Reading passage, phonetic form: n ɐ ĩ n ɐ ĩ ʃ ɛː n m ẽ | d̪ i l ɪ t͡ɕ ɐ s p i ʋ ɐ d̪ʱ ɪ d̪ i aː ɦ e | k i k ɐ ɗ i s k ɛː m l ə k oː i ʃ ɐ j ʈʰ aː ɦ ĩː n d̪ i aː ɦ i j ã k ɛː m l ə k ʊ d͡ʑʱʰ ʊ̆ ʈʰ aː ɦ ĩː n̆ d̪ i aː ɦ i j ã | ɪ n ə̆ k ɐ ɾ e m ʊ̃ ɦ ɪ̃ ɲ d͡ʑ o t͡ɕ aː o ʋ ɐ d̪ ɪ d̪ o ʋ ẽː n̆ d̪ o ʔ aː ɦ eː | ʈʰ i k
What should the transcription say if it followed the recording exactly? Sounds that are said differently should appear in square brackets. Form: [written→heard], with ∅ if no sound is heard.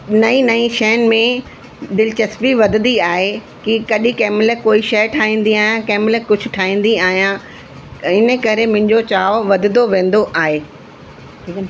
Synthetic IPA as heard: n ɐ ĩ n ɐ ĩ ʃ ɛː n m ẽ | d̪ [i→ɪ] l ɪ t͡ɕ ɐ s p i ʋ ɐ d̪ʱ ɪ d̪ i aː ɦ e | k i k ɐ ɗ i [s→∅] k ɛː m l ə k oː i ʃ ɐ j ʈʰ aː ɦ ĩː n d̪ i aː ɦ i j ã k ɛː m l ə k ʊ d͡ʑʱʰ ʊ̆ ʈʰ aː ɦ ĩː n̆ d̪ i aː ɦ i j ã | ɪ n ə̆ k ɐ ɾ e m ʊ̃ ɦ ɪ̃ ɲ d͡ʑ o t͡ɕ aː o ʋ ɐ d̪ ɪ d̪ o ʋ ẽː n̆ d̪ o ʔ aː ɦ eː | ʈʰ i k